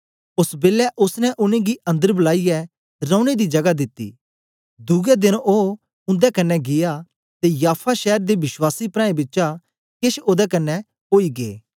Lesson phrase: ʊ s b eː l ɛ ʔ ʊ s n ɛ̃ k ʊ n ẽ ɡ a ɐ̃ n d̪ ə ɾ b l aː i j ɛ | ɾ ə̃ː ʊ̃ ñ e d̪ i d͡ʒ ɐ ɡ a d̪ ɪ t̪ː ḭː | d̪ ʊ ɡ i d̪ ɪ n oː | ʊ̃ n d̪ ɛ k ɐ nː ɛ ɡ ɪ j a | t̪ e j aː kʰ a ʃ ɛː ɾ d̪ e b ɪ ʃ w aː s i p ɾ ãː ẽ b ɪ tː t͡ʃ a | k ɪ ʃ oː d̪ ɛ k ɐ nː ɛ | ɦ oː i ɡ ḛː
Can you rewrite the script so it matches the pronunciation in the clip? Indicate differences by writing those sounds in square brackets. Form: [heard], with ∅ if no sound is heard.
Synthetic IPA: ʊ s b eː l ɛ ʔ ʊ s n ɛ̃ [ʔ] ʊ n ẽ ɡ [i] ɐ̃ n d̪ ə ɾ b l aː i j ɛ | ɾ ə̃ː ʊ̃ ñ e d̪ i d͡ʒ ɐ ɡ a d̪ ɪ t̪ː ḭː | d̪ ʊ ɡ [ɛ] d̪ ɪ n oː | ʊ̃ n d̪ ɛ k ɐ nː ɛ ɡ ɪ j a | t̪ e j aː [pʰ] a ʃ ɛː ɾ d̪ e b ɪ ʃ w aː s i p ɾ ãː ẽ b ɪ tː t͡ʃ a | k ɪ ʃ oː d̪ ɛ k ɐ nː ɛ | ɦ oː i ɡ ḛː

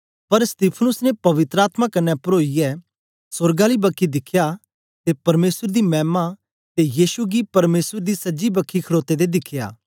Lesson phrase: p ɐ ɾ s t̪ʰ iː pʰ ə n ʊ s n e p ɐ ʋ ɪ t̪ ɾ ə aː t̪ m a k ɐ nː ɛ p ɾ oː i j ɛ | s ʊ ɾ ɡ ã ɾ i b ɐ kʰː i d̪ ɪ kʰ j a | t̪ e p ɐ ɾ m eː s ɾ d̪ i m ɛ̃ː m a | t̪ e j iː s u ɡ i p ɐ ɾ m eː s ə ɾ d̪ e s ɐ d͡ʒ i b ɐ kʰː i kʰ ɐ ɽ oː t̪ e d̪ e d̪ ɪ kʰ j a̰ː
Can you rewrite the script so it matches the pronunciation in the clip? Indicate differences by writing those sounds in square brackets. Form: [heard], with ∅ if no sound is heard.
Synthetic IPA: p ɐ ɾ s [t̪] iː pʰ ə n ʊ s n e p ɐ ʋ ɪ t̪ ɾ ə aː t̪ m a k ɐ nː ɛ p ɾ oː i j ɛ | s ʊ ɾ ɡ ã [l] i b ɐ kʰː i d̪ ɪ kʰ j a | t̪ e p ɐ ɾ m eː s ɾ d̪ i m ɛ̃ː m a | t̪ e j iː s u ɡ i p ɐ ɾ m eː s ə ɾ d̪ [i] s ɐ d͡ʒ i b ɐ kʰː i kʰ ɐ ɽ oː t̪ e d̪ e d̪ ɪ kʰ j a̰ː

